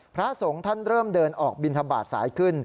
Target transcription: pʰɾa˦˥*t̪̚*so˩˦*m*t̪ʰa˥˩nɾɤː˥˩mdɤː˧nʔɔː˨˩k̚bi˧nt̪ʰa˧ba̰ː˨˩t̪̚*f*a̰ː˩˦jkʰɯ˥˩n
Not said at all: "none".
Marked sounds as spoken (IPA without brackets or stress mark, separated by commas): none, ŋ, s